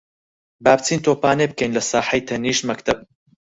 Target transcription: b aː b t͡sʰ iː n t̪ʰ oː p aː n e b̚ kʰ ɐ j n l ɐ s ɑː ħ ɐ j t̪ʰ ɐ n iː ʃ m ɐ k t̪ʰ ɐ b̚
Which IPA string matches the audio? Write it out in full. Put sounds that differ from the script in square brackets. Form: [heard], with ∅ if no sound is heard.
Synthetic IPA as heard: b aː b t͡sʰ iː n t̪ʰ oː p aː n e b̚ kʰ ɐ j n l ɐ s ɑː ħ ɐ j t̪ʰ ɐ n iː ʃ m ɐ k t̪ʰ ɐ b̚